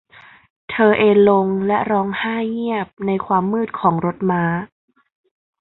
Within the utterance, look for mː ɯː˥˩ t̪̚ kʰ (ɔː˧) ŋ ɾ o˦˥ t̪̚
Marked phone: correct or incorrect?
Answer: incorrect: ɔː˩˦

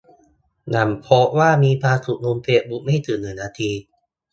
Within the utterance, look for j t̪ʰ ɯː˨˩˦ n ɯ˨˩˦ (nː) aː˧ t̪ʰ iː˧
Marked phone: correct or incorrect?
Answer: incorrect: n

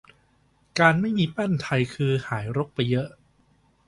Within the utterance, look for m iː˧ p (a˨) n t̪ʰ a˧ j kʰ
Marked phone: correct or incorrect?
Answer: incorrect: a˥˩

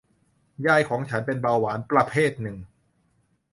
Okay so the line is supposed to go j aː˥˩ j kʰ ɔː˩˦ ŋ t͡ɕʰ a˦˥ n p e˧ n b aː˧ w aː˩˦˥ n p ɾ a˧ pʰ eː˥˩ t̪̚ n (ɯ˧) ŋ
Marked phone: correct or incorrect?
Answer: incorrect: ɯ˨˩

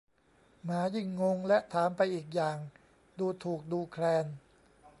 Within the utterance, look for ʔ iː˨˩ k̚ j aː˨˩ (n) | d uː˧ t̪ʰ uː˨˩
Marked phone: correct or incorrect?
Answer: incorrect: ŋ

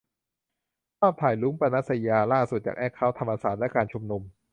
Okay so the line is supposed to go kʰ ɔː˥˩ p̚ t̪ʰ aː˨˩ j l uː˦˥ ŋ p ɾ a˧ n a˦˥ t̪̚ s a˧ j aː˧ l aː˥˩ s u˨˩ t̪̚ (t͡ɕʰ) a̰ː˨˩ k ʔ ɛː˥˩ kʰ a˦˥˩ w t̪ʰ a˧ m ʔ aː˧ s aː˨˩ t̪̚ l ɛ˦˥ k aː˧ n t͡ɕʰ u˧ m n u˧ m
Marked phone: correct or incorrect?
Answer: incorrect: t͡ɕ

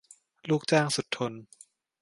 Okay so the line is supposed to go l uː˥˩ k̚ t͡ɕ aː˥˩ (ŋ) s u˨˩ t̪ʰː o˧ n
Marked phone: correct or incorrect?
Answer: correct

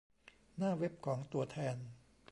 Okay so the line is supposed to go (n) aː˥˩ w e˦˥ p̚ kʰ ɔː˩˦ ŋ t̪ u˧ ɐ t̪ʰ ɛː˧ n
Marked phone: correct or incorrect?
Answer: correct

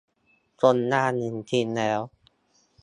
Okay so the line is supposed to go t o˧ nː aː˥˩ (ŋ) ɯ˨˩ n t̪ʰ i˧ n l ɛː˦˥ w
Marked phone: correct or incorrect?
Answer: incorrect: n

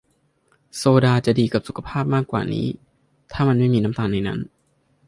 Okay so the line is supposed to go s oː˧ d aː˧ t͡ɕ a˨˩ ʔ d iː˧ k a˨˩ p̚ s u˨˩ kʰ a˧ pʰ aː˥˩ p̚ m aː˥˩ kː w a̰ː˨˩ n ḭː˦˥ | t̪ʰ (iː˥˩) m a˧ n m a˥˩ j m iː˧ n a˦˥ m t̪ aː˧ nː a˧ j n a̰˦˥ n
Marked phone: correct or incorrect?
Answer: incorrect: aː˥˩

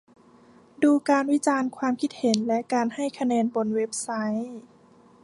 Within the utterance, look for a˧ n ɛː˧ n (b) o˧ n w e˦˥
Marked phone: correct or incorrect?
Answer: correct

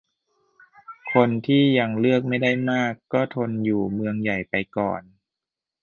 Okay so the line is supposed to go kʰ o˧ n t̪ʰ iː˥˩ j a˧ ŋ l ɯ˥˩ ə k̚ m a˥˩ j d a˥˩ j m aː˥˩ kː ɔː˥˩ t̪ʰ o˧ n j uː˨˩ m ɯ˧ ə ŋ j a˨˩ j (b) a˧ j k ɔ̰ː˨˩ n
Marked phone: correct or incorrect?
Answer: incorrect: p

